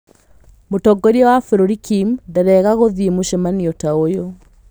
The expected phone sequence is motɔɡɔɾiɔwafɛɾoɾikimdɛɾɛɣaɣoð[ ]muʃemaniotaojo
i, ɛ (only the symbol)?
i